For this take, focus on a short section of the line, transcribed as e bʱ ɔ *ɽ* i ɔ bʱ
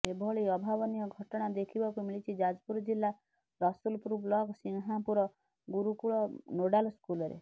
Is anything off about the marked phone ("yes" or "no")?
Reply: yes